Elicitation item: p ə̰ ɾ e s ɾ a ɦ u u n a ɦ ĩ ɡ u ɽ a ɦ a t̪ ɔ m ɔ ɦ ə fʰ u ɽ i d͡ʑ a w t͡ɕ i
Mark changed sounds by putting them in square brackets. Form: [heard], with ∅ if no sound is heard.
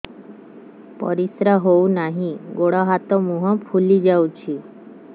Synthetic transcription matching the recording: p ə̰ ɾ [i] s ɾ a ɦ [o] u n a ɦ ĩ ɡ [o] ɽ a ɦ a t̪ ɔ m [u] ɦ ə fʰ u [l] i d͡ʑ a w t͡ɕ i